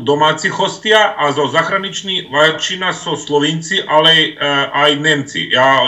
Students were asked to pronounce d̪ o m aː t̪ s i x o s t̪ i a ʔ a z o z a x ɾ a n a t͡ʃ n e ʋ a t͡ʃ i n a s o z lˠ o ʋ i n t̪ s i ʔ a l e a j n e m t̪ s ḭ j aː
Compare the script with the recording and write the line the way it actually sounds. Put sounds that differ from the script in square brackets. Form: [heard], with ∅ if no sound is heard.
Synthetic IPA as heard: d̪ o m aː t̪ s i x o s t̪ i a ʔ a z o z a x ɾ a n [i] t͡ʃ n [i] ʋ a t͡ʃ i n a s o [s] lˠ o ʋ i n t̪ s i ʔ a l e a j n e m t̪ s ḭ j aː